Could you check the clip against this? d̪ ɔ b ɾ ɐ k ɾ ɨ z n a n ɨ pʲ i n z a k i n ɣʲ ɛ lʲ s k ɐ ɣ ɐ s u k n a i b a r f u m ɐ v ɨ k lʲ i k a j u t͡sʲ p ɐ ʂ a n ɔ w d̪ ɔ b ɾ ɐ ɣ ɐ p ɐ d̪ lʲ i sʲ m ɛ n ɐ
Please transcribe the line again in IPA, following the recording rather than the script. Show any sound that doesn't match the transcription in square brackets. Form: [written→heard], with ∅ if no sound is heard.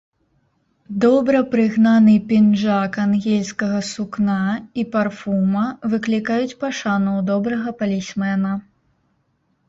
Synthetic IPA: d̪ ɔ b ɾ ɐ [k→p] ɾ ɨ [z→ɣ] n a n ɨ pʲ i n [z→ʐ] a k [i→a] n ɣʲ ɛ lʲ s k ɐ ɣ ɐ s u k n a i [b→p] a r f u m ɐ v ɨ k lʲ i k a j u t͡sʲ p ɐ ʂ a n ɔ w d̪ ɔ b ɾ ɐ ɣ ɐ p ɐ [d̪→∅] lʲ i sʲ m ɛ n ɐ

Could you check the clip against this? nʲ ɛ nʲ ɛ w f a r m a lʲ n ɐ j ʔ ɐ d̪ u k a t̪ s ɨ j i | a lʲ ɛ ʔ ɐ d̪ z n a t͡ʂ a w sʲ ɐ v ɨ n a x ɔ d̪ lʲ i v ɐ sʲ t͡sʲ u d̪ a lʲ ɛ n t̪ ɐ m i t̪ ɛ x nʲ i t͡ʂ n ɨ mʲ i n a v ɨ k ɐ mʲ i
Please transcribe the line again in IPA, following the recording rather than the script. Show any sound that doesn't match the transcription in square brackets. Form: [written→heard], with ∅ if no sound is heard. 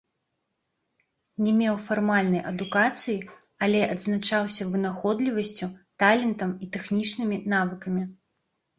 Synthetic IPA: nʲ ɛ [nʲ→mʲ] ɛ w f a r m a lʲ n ɐ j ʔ ɐ d̪ u k a t̪ s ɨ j i | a lʲ ɛ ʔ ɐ d̪ z n a t͡ʂ a w sʲ ɐ v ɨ n a x ɔ d̪ lʲ i v ɐ sʲ t͡sʲ u [d̪→t̪] a lʲ ɛ n t̪ ɐ m i t̪ ɛ x nʲ i t͡ʂ n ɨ mʲ i n a v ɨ k ɐ mʲ i

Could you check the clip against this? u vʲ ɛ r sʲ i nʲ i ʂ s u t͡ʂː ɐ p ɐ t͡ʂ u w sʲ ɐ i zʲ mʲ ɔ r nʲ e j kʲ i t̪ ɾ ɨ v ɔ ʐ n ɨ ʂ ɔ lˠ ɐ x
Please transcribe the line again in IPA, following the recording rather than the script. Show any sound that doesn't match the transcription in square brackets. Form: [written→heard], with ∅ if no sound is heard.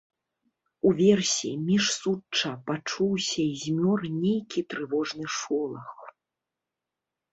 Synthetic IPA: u vʲ ɛ r sʲ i [nʲ→mʲ] i ʂ s u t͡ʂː ɐ p [ɐ→a] t͡ʂ u w sʲ ɐ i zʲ mʲ ɔ r nʲ e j kʲ i t̪ ɾ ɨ v ɔ ʐ n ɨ ʂ ɔ lˠ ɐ x

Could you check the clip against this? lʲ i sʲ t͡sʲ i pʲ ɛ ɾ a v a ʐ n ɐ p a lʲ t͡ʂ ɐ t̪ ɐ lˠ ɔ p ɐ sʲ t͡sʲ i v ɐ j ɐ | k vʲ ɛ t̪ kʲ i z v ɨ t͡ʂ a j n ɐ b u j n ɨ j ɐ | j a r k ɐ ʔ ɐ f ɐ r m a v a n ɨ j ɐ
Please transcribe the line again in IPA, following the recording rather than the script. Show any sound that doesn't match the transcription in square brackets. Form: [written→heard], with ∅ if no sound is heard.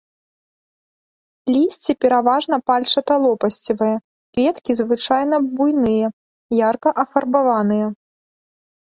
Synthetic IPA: lʲ i sʲ t͡sʲ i pʲ ɛ ɾ a v a ʐ n ɐ p a lʲ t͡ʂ ɐ t̪ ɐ lˠ ɔ p ɐ sʲ t͡sʲ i v ɐ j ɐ | k vʲ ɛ t̪ kʲ i z v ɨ t͡ʂ a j n ɐ b u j n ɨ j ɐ | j a r k ɐ ʔ ɐ f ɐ r [m→b] a v a n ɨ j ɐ

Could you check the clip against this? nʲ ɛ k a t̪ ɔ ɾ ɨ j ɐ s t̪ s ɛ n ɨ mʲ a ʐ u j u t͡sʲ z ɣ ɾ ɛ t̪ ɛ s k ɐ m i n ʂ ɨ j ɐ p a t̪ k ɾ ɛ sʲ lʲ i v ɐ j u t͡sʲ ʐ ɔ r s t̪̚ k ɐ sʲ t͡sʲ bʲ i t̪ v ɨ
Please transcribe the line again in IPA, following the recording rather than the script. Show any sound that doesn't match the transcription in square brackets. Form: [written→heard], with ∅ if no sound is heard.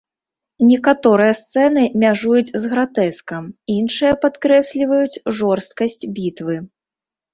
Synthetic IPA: nʲ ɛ k a t̪ ɔ ɾ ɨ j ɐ s t̪ s ɛ n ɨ mʲ a ʐ u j u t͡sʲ z ɣ ɾ [ɛ→a] t̪ ɛ s k ɐ m i n ʂ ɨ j ɐ p a t̪ k ɾ ɛ sʲ lʲ i v ɐ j u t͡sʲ ʐ ɔ r s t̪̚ k ɐ sʲ t͡sʲ bʲ i t̪ v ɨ

